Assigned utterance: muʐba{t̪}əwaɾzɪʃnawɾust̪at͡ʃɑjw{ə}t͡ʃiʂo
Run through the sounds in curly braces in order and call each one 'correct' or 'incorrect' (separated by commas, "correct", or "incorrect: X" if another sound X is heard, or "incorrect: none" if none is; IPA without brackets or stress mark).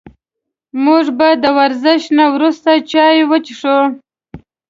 incorrect: d̪, correct